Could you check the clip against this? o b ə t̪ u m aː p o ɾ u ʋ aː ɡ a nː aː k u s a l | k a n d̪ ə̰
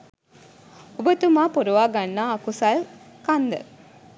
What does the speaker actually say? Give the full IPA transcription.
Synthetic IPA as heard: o b ə t̪ u m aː p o ɾ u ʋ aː ɡ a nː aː k u s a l | k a n d̪ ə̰